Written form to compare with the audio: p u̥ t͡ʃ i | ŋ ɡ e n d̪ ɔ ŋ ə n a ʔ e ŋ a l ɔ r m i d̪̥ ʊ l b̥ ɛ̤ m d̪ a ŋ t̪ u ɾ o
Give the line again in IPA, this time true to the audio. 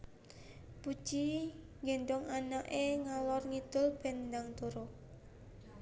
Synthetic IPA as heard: p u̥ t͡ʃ i | ŋ ɡ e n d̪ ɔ ŋ a n a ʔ e ŋ a l ɔ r ŋ i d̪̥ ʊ l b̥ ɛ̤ n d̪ a ŋ t̪ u ɾ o

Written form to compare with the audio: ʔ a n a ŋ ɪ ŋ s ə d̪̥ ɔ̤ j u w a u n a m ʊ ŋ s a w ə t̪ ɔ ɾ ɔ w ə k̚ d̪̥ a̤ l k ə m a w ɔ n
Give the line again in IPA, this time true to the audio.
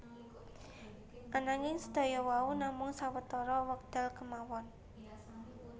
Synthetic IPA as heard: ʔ a n a ŋ ɪ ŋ s ə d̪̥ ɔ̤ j ɔ w a u n a m ʊ ŋ s a w ə t̪ ɔ ɾ ɔ w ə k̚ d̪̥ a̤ l k ə m a w ɔ n

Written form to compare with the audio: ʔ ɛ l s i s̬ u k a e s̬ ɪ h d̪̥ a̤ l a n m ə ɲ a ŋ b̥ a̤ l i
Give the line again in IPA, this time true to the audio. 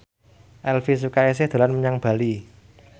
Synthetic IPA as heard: ʔ ɛ l f i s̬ u k a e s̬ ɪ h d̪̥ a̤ l a n m ə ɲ a ŋ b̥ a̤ l i

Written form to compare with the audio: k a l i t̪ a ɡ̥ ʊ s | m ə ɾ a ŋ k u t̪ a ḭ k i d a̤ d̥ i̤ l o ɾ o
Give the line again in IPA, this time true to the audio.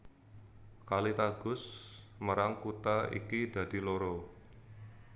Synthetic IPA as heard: k a l i t̪ a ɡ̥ ʊ s | m ə ɾ a ŋ k u t̪ a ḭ k i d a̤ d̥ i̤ l o ɾ o

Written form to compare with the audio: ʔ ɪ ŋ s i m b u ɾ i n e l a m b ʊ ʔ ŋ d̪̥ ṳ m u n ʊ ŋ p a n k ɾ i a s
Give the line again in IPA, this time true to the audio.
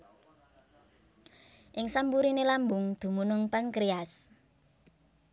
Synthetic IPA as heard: ʔ ɪ ŋ s a m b u ɾ i n e l a m b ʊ ŋ d̪̥ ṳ m u n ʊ ŋ p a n k ɾ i a s

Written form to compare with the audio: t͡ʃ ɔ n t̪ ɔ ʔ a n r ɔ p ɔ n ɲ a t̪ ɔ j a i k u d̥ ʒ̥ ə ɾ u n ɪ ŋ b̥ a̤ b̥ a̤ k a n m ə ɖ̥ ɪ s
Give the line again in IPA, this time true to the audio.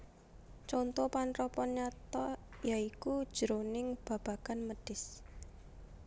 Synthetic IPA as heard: t͡ʃ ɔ n t̪ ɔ p a n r ɔ p ɔ n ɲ a t̪ ɔ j a i k u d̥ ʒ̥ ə ɾ o n ɪ ŋ b̥ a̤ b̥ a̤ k a n m ə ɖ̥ ɪ s

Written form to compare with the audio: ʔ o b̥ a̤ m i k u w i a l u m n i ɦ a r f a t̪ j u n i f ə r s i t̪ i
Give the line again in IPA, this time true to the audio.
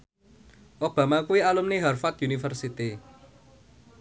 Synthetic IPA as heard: ʔ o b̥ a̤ m a k u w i a l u m n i ɦ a r f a t̪ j u n i f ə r s i t̪ i

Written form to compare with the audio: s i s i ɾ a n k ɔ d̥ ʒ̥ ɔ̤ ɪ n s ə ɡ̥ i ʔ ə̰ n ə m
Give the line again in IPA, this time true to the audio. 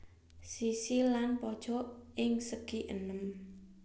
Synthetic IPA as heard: s i s i l a n p ɔ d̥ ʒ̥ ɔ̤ ɪ ŋ s ə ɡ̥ i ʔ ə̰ n ə m

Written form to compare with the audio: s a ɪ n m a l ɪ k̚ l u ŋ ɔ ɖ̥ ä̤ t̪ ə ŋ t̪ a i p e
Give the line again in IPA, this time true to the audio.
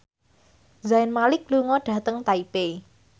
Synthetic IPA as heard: z a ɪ n m a l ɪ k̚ l u ŋ ɔ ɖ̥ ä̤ t̪ ə ŋ t̪ a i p e

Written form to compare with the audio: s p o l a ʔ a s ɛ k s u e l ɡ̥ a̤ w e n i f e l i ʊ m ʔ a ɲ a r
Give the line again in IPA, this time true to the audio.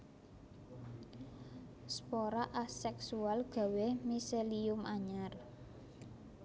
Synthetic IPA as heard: s p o ɾ a ʔ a s ɛ k s u a l ɡ̥ a̤ w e m i s e l i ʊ m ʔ a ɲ a r

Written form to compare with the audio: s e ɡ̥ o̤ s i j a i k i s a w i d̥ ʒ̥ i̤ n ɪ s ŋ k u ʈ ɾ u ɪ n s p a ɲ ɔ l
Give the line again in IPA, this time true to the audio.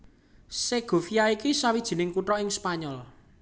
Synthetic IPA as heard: s e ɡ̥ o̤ f i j a i k i s a w i d̥ ʒ̥ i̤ n ɪ ŋ k u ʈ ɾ ɔ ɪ ŋ s p a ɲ ɔ l

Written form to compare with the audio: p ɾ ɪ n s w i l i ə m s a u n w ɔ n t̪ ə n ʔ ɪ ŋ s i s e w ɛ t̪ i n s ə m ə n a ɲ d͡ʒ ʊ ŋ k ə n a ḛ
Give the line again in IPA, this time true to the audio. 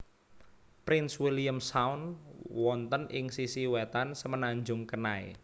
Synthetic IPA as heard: p ɾ ɪ n s w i l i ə m s a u n w ɔ n t̪ ə n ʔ ɪ ŋ s i s i w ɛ t̪ a n s ə m ə n a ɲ d͡ʒ ʊ ŋ k ə n a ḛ

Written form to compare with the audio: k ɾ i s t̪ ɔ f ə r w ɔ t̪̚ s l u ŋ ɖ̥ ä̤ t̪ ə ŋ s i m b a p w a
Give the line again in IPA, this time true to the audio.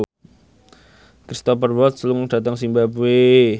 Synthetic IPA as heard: k ɾ i s t̪ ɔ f ə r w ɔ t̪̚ s l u ŋ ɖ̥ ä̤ t̪ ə ŋ s i m b a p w e

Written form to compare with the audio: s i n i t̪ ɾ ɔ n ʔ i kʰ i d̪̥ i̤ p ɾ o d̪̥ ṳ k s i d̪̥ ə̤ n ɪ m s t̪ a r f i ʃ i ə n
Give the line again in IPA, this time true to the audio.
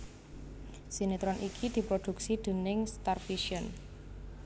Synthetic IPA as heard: s i n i t̪ ɾ ɔ n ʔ i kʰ i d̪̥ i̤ p ɾ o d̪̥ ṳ k s i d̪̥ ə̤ n ɪ ŋ s t̪ a r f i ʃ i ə n

